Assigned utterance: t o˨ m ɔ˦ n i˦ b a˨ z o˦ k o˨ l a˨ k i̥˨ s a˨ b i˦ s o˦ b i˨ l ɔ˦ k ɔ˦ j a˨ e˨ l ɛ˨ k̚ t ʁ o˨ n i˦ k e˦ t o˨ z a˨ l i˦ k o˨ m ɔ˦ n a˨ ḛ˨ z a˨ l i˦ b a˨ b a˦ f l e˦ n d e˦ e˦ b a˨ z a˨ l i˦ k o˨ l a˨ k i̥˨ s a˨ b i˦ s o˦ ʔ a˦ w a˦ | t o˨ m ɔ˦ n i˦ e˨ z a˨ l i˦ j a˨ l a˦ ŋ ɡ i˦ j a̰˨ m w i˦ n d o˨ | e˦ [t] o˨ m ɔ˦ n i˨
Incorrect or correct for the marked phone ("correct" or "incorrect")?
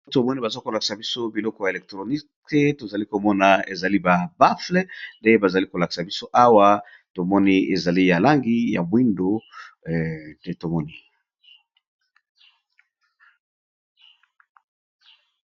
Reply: correct